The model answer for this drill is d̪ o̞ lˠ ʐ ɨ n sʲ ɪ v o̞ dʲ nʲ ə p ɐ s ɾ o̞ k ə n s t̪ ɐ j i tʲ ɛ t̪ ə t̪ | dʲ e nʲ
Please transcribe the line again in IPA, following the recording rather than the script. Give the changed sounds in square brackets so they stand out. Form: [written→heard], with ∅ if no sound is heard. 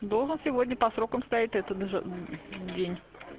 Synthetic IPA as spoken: d̪ o̞ lˠ ʐ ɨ n sʲ ɪ v o̞ dʲ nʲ ə p ɐ s ɾ o̞ k ə [n→m] s t̪ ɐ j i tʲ ɛ t̪ ə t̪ | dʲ e nʲ